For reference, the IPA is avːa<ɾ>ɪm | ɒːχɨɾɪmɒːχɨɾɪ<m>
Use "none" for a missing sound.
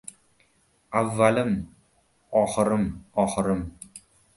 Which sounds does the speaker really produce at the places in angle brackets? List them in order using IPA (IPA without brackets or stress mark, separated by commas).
l, m